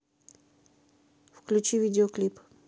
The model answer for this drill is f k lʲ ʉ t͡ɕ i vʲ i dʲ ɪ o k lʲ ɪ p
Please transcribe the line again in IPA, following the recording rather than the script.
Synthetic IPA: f k lʲ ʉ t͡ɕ i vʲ i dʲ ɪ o k lʲ i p